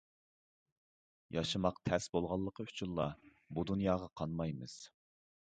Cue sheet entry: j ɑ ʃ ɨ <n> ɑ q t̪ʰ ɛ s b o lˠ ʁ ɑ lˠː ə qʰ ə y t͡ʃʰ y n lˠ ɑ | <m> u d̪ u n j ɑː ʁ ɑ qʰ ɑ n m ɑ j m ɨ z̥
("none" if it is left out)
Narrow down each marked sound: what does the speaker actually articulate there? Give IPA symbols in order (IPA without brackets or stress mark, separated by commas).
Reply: m, b